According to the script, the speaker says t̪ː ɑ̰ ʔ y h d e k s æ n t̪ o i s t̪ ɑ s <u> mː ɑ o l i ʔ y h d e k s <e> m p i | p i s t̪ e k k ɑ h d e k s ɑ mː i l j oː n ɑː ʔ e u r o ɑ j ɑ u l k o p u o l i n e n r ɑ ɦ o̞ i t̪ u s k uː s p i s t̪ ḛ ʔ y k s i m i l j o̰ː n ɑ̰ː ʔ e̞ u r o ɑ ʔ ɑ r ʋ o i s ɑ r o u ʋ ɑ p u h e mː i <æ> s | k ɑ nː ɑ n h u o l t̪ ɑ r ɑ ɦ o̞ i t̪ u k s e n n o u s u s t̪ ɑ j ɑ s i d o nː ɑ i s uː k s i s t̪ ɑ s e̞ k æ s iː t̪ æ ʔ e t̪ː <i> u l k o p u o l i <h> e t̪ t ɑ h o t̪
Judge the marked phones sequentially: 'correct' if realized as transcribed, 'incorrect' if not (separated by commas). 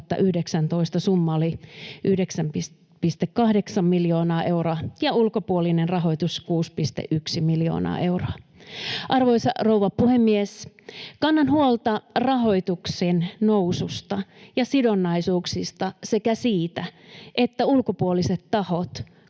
correct, incorrect, incorrect, incorrect, incorrect